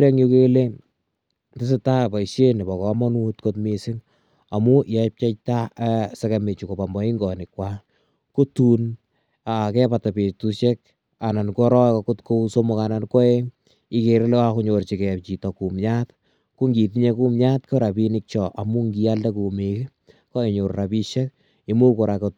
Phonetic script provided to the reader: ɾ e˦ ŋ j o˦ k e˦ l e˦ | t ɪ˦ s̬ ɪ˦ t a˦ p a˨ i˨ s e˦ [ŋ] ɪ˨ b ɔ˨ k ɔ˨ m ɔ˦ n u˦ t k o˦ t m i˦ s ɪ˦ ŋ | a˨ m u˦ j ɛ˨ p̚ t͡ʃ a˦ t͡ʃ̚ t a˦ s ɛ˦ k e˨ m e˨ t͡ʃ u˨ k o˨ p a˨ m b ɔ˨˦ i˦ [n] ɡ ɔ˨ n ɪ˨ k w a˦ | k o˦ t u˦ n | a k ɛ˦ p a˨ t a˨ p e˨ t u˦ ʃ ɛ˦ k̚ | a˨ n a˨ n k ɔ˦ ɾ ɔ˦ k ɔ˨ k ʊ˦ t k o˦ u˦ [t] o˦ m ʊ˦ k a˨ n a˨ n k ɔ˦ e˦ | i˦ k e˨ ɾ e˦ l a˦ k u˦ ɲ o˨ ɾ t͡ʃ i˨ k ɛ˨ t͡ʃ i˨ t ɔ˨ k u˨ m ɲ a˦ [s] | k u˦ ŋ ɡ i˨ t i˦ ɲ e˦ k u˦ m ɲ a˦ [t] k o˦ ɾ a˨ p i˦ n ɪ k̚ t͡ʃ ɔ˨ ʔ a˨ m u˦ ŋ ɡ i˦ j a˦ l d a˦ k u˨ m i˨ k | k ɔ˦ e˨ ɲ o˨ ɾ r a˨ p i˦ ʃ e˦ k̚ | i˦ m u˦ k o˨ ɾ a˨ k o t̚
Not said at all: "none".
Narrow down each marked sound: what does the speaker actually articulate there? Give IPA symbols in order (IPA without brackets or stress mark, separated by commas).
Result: n, ŋ, s, t, t